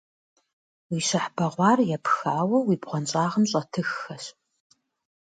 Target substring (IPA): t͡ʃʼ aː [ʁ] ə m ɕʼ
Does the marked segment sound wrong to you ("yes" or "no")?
no